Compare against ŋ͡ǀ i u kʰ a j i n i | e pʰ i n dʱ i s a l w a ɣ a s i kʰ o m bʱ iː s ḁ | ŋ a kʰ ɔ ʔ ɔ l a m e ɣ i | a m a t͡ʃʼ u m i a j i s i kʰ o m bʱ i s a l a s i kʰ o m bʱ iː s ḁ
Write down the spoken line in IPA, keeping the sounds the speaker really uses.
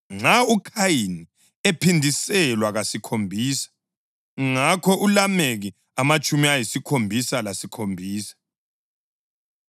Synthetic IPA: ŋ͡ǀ a u kʰ a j i n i | e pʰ i n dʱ i s ɛ l w a ɣ a s i kʰ o m bʱ iː s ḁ | ŋ a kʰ ɔ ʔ u l a m e ɣ i | a m a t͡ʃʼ u m i a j i s i kʰ o m bʱ i s a l a s i kʰ o m bʱ iː s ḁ